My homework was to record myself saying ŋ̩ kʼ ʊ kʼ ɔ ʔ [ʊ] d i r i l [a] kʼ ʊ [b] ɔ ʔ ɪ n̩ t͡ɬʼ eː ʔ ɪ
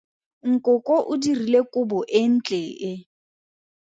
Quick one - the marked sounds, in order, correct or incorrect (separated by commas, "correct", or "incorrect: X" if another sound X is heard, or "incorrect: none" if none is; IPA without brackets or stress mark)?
correct, incorrect: e, correct